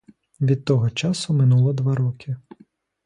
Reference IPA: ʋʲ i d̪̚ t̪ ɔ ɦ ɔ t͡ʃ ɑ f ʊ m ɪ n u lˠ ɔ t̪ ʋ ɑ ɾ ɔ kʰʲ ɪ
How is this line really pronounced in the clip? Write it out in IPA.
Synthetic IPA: ʋʲ i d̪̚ t̪ ɔ ɦ ɔ t͡ʃ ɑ s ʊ m ɪ n u lˠ ɔ d̪ ʋ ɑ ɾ ɔ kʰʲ ɪ